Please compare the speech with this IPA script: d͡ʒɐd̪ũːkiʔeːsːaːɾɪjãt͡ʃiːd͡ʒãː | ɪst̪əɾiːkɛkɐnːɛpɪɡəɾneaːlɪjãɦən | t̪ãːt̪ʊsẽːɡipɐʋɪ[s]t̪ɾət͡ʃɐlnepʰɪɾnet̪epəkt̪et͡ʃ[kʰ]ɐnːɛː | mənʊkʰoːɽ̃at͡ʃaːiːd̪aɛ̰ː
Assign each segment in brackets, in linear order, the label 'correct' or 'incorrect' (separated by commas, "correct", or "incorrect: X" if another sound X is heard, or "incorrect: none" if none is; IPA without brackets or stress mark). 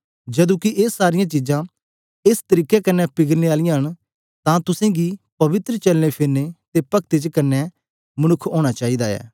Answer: incorrect: none, incorrect: k